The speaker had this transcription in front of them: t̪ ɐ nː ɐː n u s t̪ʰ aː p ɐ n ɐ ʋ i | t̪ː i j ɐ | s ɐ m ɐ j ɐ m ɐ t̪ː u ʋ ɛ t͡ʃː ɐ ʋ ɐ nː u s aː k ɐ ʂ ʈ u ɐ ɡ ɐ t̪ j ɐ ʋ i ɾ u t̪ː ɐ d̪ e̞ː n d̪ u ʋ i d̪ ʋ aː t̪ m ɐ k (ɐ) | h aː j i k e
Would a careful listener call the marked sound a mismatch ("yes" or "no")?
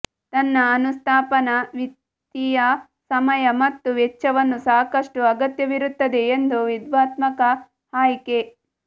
no